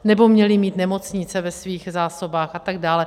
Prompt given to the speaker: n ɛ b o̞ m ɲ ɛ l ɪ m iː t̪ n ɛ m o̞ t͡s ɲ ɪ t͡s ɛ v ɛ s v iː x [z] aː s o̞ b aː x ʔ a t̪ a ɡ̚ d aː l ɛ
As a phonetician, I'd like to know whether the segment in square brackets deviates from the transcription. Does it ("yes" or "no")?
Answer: no